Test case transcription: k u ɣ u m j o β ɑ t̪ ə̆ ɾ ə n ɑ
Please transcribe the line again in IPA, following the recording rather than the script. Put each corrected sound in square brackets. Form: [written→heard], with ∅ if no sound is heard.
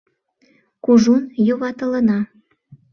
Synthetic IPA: k u [ɣ→ʒ] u [m→n] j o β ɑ t̪ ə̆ [ɾ→l] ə n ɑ